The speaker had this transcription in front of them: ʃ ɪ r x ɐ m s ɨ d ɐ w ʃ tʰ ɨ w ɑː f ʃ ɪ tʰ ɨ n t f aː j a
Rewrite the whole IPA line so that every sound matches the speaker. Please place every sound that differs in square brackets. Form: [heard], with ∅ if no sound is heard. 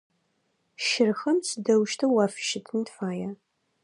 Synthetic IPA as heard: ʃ ɪ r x ɐ m s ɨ d ɐ w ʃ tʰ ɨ w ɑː f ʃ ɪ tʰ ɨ n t f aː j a